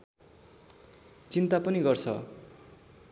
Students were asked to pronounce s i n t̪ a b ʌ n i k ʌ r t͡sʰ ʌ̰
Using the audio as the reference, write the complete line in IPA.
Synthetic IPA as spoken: t͡s i n t̪ a p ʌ n i ɡ ʌ r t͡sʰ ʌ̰